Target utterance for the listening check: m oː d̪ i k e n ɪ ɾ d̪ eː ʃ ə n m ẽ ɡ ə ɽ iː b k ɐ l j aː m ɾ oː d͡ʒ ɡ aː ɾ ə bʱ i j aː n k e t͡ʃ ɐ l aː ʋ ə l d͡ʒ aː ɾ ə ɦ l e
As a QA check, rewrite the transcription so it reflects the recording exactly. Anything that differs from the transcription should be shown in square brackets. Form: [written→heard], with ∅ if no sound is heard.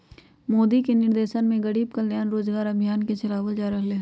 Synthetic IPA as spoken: m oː d̪ i k e n ɪ ɾ d̪ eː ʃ ə n m ẽ ɡ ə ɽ iː b k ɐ l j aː [m→n] ɾ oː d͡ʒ ɡ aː ɾ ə bʱ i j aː n k e t͡ʃ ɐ l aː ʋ ə l d͡ʒ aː ɾ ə ɦ l e